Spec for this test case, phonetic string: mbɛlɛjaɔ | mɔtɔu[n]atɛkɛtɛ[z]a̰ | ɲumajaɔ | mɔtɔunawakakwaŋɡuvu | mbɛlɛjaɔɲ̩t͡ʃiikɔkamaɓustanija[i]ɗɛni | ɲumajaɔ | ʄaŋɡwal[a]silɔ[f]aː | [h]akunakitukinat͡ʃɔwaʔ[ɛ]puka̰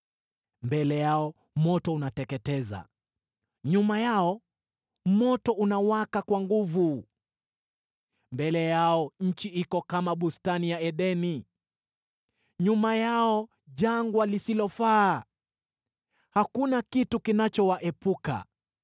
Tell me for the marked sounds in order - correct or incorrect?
correct, correct, incorrect, incorrect, correct, correct, correct

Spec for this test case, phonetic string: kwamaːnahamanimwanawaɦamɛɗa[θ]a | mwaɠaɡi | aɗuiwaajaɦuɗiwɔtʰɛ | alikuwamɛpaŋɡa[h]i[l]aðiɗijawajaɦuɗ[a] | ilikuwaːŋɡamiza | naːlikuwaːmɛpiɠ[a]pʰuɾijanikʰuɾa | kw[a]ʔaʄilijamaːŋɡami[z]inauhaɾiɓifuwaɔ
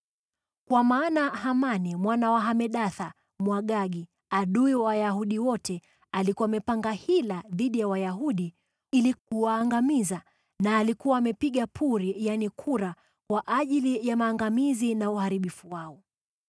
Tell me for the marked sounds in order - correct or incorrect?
correct, correct, correct, incorrect, correct, correct, correct

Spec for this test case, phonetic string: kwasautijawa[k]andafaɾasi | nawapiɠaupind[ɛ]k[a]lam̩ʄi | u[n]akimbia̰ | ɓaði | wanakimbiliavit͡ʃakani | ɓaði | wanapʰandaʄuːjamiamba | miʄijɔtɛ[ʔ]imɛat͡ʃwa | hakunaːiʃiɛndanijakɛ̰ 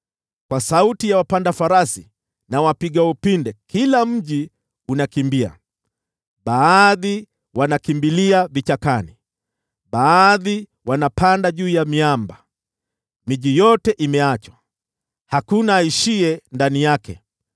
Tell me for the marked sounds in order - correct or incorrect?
incorrect, correct, incorrect, correct, correct

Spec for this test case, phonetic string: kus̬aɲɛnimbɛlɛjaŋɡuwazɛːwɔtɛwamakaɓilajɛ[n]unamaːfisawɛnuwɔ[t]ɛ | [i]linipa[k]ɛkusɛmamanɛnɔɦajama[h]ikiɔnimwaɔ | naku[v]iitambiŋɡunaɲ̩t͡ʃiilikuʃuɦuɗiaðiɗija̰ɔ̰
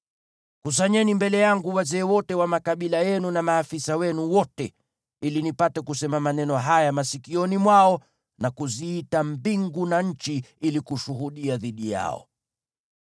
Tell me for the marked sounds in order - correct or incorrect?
correct, correct, correct, incorrect, incorrect, incorrect

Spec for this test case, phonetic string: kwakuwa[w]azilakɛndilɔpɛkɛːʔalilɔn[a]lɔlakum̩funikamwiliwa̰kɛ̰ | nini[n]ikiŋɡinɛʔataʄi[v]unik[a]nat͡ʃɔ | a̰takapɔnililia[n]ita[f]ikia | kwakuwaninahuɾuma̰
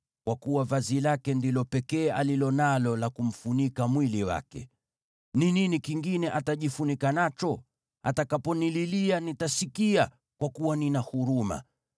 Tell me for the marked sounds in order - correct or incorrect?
incorrect, correct, correct, incorrect, correct, correct, incorrect

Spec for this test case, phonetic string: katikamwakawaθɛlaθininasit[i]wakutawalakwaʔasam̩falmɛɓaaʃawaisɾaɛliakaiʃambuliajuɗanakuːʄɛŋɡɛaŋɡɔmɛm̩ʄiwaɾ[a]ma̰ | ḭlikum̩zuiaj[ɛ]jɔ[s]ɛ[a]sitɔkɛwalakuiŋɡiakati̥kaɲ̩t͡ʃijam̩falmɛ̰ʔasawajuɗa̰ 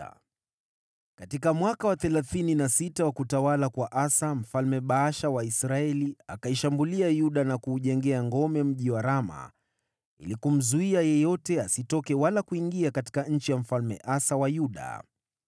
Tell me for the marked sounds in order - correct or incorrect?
incorrect, correct, correct, incorrect, correct

